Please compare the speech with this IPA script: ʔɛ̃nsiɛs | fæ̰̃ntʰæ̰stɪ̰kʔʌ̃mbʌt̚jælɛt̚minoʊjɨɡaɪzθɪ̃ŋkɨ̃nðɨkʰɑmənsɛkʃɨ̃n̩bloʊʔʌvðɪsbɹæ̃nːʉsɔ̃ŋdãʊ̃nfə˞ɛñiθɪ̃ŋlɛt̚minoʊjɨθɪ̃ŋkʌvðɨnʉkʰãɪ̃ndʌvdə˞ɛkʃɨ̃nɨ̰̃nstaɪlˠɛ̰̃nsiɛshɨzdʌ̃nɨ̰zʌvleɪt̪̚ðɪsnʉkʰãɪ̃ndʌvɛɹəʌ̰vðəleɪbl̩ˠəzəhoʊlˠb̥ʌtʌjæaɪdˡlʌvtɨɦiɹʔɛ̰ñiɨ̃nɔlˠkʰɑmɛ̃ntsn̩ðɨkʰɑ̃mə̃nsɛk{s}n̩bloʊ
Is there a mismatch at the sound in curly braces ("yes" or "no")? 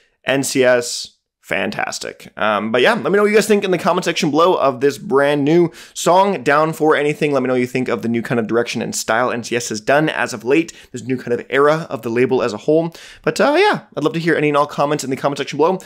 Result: yes